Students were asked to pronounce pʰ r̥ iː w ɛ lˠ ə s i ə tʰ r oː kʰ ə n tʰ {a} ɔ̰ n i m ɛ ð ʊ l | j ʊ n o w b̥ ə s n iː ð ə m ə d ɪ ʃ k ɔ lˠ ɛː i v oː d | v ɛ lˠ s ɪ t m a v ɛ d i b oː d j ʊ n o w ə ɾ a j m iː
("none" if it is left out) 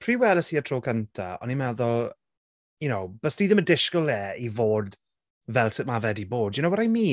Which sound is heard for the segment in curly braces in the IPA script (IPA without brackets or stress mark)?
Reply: a